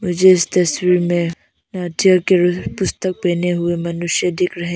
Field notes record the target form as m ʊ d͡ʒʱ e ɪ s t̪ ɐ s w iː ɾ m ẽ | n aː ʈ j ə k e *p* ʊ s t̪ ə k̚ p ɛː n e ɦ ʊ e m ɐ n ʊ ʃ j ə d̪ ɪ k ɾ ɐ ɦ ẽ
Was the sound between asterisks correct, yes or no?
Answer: yes